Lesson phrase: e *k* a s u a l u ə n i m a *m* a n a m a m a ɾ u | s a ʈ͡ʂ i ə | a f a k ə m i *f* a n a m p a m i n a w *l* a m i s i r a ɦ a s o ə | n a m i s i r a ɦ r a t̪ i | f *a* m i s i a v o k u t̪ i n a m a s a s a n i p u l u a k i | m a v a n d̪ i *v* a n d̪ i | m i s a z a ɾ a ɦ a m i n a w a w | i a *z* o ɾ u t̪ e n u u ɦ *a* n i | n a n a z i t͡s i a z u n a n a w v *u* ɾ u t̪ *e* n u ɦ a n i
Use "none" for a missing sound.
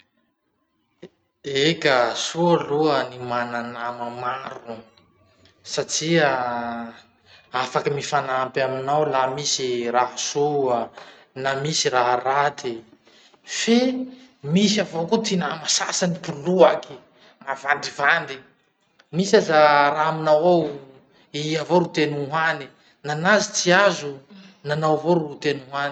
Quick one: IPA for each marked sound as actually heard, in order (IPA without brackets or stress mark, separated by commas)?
k, n, f, l, e, v, v, a, o, e